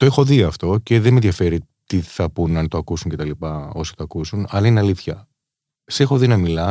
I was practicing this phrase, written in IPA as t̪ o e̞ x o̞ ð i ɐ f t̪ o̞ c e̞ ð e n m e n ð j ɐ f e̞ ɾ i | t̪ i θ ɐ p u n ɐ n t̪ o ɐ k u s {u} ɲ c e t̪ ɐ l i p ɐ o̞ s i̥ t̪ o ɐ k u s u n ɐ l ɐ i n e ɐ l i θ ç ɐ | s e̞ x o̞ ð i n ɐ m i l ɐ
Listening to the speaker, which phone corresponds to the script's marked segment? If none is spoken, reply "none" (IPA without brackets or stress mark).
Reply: u